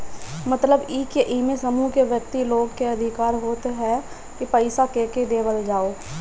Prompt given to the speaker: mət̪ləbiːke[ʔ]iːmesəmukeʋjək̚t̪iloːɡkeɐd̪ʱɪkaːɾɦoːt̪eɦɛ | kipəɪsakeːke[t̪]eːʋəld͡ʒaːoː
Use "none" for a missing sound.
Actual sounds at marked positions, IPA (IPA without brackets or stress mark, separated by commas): ʔ, d̪